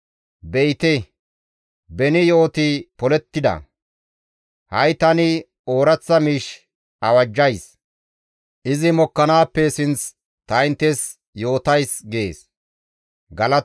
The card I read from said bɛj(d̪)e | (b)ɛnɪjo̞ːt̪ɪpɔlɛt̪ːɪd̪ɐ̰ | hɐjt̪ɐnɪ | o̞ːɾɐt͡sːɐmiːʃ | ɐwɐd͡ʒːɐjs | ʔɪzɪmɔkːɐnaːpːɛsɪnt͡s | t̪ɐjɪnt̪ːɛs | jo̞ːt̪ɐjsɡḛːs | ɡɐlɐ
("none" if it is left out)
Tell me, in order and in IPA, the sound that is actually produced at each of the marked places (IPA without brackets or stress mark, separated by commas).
t̪, b